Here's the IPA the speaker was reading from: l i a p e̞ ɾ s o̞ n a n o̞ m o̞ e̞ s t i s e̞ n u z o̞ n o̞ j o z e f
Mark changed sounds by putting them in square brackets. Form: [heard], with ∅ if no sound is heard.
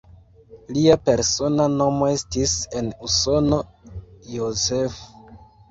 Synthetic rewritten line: l i a p e̞ ɾ s o̞ n a n o̞ m o̞ e̞ s t i s e̞ n u [s] o̞ n o̞ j o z e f